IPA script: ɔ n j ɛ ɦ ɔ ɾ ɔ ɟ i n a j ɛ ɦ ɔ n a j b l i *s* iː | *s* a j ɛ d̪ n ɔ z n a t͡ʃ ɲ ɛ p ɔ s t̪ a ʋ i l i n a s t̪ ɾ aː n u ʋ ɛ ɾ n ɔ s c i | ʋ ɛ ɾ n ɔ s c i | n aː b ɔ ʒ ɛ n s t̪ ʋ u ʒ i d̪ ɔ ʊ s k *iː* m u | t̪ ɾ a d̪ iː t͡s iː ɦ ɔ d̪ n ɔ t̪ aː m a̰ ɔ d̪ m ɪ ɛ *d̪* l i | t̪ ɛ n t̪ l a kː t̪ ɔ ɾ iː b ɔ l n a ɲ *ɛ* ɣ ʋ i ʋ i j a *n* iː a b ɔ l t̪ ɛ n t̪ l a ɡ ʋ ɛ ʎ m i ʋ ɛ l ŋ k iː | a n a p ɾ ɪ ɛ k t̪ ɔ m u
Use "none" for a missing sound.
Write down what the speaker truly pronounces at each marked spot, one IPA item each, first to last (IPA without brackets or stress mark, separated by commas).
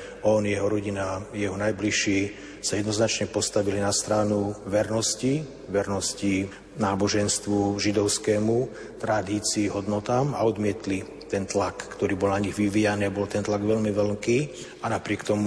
ʃ, s, ɛː, t̪, i, n